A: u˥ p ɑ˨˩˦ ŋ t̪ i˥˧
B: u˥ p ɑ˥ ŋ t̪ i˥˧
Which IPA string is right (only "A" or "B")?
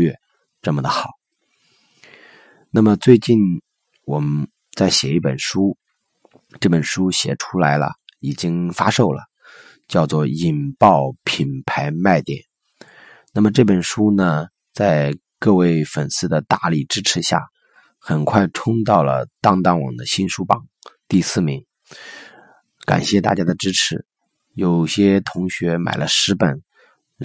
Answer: A